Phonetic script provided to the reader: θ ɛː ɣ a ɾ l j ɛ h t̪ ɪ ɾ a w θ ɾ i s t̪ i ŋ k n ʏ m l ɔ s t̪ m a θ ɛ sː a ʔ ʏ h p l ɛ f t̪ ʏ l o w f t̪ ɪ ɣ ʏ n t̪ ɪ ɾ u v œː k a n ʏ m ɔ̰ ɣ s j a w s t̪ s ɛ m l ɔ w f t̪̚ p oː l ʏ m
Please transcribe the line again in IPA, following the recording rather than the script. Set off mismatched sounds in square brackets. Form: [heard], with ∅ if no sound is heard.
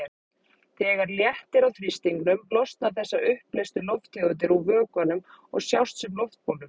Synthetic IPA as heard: θ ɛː ɣ a ɾ l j ɛ h t̪ ɪ ɾ a w θ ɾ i s t̪ i ŋ k n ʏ m l ɔ s t̪ [n] a θ ɛ sː a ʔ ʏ h p l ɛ [s] t̪ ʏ l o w f t̪ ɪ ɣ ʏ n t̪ ɪ ɾ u v œː k a n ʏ m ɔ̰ ɣ s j a w s t̪ s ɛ m l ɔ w f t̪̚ p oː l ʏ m